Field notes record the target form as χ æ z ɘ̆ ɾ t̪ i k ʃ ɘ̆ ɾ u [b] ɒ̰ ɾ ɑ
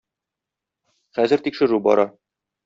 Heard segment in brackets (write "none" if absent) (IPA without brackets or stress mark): b